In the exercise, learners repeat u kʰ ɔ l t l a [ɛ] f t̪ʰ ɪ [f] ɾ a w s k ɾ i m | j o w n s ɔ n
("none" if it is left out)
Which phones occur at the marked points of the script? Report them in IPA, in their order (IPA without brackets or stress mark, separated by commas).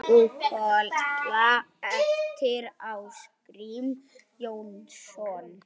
ɛ, none